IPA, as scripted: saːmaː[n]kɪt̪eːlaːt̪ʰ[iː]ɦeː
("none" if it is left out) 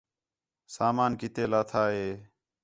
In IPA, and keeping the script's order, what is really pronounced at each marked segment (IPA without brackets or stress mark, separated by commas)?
n, aː